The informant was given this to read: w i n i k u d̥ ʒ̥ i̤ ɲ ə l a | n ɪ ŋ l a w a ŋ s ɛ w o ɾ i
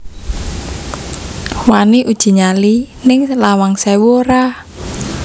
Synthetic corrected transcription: w a n i ʔ u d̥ ʒ̥ i̤ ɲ a l i | n ɪ ŋ l a w a ŋ s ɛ w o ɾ a